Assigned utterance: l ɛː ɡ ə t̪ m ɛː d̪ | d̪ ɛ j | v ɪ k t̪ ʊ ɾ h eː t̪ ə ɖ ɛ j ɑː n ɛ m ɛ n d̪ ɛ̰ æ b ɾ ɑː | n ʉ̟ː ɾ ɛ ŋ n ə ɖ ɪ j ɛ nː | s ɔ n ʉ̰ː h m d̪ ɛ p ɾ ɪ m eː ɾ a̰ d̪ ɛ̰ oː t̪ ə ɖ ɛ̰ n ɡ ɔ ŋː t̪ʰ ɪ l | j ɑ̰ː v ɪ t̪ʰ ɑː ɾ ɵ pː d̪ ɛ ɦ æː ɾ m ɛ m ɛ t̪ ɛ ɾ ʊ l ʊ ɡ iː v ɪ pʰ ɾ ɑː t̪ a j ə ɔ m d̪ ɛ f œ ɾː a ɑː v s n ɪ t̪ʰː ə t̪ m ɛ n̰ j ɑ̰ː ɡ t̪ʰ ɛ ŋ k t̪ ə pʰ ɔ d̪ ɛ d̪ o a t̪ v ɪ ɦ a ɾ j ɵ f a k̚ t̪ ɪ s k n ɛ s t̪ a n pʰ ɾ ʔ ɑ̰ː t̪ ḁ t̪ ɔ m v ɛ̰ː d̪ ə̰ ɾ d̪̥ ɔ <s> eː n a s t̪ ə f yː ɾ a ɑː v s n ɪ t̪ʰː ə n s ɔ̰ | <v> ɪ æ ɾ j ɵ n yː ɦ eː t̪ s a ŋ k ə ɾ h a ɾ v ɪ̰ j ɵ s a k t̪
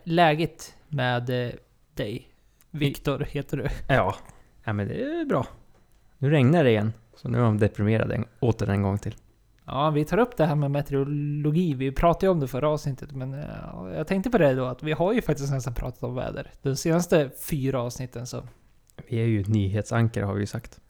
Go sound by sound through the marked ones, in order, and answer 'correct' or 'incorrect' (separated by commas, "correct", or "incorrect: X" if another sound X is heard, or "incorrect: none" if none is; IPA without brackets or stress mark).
correct, correct